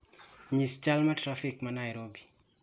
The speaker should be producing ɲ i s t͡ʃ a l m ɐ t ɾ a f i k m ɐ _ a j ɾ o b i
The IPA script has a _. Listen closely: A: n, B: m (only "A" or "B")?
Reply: A